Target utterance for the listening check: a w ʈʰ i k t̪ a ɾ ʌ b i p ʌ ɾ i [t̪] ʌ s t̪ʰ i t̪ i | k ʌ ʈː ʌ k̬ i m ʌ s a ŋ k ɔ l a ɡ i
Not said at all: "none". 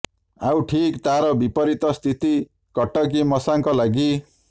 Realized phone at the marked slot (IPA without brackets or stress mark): t̪